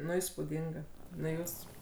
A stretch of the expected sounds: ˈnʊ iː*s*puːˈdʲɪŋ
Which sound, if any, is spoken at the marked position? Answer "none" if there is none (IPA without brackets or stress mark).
s